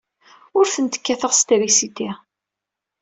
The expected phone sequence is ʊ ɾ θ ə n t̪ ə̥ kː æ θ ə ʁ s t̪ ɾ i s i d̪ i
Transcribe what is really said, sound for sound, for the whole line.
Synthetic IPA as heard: ʊ ɾ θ ə n t̪ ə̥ kː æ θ ə ʁ s t̪ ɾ i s i t̪ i